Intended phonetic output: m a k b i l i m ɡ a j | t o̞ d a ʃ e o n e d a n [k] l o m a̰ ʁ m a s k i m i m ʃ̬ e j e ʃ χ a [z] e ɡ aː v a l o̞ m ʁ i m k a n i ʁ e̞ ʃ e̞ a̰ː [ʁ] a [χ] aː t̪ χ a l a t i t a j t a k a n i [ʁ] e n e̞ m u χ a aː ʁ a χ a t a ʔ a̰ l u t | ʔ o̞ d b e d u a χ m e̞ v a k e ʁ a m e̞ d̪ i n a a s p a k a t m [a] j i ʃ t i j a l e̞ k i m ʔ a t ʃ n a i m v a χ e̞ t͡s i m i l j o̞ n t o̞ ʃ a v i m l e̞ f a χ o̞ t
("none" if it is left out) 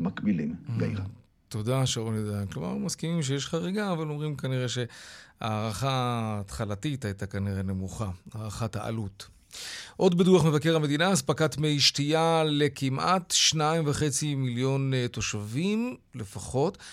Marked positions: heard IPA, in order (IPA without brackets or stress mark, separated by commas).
k, ʁ, ʁ, χ, ʁ, e